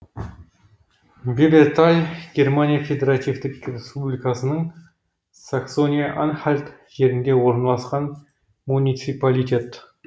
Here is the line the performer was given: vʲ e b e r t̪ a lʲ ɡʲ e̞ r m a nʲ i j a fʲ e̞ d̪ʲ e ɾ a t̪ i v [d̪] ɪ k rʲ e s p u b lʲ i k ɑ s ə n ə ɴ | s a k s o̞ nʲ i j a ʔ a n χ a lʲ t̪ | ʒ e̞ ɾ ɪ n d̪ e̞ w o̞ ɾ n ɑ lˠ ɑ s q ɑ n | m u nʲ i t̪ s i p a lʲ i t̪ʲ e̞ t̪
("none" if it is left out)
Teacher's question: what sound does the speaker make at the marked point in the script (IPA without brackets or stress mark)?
t̪